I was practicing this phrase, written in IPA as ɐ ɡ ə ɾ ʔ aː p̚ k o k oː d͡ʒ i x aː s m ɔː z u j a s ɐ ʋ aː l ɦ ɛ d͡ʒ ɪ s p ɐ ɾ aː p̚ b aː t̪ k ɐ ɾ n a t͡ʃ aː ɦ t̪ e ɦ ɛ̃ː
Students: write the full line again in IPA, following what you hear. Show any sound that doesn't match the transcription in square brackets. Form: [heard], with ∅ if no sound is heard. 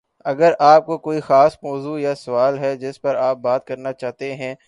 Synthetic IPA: ɐ ɡ ə ɾ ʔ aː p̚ k o k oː [∅] i x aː s m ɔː z u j a s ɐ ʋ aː l ɦ ɛ d͡ʒ ɪ s p ɐ ɾ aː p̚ b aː t̪ k ɐ ɾ n a t͡ʃ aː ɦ t̪ e ɦ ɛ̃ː